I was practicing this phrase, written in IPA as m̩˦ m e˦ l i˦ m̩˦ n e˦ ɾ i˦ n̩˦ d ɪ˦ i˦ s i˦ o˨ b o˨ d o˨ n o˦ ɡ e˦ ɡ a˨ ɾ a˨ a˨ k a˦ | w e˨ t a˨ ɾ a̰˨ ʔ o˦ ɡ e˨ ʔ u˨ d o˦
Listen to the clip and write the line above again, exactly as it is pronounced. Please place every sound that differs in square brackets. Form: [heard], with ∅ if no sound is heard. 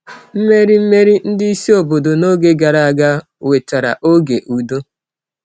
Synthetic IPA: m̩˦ m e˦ [ɾ] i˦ m̩˦ [m] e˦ ɾ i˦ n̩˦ d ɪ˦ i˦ s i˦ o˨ b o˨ d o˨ n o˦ ɡ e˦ ɡ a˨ ɾ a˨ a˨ [ɡ] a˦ | w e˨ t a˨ ɾ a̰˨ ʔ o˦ ɡ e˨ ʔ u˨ d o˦